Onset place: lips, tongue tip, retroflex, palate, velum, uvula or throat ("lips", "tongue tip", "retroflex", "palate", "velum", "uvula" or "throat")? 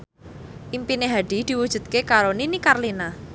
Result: throat